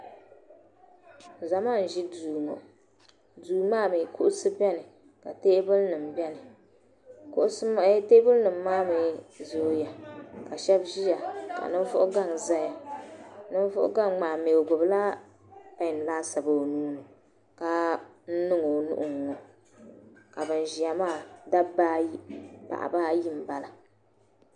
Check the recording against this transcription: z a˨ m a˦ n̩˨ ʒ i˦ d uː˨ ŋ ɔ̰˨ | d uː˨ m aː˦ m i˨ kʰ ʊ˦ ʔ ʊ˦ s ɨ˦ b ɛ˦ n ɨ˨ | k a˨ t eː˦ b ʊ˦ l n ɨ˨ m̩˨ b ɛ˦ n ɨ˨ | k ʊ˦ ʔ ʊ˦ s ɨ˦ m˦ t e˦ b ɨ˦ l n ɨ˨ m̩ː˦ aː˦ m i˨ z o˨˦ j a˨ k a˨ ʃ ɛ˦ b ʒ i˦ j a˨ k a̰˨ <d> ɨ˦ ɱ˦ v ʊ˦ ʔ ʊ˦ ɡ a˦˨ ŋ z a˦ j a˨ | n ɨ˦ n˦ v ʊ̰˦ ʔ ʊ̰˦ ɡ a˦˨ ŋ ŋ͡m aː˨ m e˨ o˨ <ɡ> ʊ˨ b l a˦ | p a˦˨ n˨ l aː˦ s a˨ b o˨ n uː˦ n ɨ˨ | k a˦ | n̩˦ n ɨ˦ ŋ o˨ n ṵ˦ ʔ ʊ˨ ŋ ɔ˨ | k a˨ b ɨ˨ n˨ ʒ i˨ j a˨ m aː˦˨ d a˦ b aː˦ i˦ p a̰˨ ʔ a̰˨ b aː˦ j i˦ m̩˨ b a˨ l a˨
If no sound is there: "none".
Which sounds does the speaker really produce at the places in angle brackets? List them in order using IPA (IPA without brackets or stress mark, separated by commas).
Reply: n, ɡ